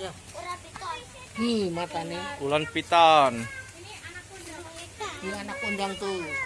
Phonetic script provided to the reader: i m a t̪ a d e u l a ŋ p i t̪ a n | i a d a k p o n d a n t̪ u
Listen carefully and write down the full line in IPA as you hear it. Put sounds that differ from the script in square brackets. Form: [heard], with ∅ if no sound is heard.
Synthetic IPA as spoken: i m a t̪ a [n] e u l a [n] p i t̪ a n | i a [n] a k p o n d a [ŋ] t̪ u